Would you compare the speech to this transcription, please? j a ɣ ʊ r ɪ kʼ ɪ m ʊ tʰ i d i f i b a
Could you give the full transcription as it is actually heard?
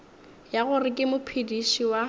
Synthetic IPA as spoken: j a ɣ ʊ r ɪ kʼ ɪ m ʊ pʰ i d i ʃ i w a

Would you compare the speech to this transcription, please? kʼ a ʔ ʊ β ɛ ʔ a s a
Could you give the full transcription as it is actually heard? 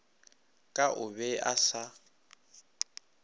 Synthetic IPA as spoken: kʼ a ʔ ʊ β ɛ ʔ a s a

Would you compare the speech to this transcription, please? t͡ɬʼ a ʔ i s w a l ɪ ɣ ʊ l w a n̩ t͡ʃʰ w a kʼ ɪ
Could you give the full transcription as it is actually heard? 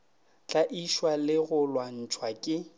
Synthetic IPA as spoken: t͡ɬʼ a ʔ i ʃ w a l ɪ ɣ ʊ l w a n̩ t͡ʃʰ w a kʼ ɪ

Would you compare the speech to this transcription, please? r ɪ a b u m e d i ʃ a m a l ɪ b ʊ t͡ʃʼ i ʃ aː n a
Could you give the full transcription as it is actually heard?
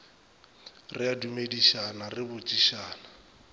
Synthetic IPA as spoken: r ɪ a d u m e d i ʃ a n a r ɪ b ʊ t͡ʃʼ i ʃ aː n a

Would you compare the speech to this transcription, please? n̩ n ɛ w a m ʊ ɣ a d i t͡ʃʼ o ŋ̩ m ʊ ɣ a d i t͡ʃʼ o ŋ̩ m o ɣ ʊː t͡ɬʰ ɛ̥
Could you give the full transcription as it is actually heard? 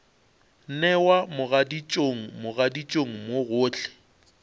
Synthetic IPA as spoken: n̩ n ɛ w a m ʊ ɣ a d i t͡ʃʼ o ŋ̩ m ʊ ɣ a d i t͡ʃʼ o ŋ̩ m o ɣ ʊː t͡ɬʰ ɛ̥

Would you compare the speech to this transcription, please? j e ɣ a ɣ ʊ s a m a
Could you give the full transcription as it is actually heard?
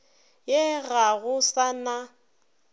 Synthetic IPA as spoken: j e ɣ a ɣ ʊ s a n a

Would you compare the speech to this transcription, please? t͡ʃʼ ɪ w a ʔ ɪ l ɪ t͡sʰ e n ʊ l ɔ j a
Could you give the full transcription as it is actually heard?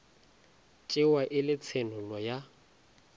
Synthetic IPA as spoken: t͡ʃʼ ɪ w a ʔ ɪ l ɪ t͡sʰ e n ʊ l ɔ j a

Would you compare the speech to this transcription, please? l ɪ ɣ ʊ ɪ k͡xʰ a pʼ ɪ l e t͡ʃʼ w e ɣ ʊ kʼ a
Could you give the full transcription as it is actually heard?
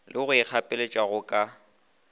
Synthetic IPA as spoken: l ɪ ɣ ʊ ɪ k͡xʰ a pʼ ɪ l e t͡ʃʼ w a ɣ ʊ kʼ a

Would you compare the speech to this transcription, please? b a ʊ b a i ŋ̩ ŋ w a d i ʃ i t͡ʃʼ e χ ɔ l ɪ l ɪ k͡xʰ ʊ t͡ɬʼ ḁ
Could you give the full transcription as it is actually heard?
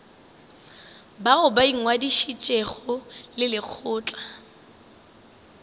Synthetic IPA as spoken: b a ʊ b a i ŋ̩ ŋ w a d i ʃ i t͡ʃʼ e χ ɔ l ɪ l ɪ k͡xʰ ʊː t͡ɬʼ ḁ

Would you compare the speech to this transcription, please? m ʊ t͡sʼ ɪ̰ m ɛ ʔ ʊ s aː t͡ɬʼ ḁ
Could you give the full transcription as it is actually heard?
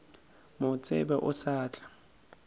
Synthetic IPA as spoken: m ʊ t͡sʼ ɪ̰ b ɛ ʔ ʊ s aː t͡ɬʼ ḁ

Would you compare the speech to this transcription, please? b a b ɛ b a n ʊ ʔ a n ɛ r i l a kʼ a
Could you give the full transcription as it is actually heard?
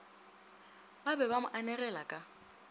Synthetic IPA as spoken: b a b ɛ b a m ʊ ʔ a n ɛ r ɛ l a kʼ a

